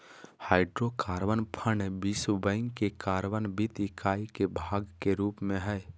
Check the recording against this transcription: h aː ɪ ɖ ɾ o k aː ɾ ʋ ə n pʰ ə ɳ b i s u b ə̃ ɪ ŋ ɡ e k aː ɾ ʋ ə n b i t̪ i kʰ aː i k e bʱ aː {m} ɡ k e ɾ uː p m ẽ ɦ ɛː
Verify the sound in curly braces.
incorrect: none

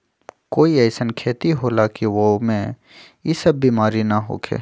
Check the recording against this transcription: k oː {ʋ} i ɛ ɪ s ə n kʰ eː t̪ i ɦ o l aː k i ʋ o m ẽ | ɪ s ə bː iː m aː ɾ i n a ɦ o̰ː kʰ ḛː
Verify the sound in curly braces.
incorrect: none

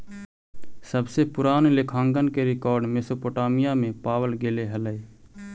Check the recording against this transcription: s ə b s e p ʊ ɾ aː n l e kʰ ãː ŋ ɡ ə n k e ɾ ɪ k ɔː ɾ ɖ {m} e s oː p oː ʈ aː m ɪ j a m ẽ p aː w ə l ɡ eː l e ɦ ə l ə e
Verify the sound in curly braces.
correct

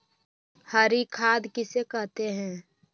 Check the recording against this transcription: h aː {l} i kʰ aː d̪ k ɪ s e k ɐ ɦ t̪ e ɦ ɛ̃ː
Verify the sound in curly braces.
incorrect: ɾ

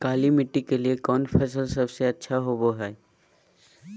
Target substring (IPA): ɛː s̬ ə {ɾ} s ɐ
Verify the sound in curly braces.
incorrect: l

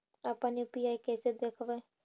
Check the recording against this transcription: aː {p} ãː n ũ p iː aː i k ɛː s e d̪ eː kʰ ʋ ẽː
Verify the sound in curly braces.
correct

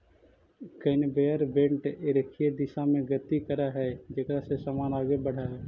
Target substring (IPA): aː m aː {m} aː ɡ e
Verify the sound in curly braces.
incorrect: n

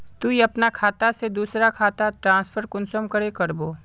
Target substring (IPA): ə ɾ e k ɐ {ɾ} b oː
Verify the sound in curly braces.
correct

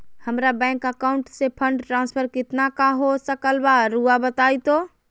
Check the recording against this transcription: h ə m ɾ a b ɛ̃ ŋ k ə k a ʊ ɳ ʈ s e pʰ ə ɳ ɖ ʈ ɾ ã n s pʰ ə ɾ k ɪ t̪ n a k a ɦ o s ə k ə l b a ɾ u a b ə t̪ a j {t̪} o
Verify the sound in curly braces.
correct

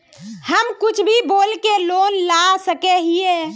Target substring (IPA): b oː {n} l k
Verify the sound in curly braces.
incorrect: none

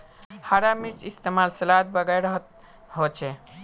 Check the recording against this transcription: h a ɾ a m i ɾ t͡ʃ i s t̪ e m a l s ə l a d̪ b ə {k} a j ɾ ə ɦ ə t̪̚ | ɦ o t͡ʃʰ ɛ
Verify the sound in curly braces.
incorrect: ɡ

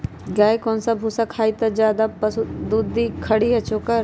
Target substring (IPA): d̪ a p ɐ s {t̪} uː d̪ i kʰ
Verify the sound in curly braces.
incorrect: d̪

